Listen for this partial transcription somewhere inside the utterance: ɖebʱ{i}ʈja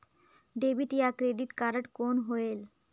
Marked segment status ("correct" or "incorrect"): correct